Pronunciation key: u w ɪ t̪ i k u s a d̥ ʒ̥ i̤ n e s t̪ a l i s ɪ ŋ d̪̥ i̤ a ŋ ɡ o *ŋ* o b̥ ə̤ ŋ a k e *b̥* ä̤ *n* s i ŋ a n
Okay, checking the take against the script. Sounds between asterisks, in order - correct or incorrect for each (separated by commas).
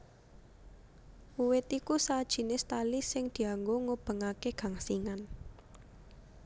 correct, incorrect, incorrect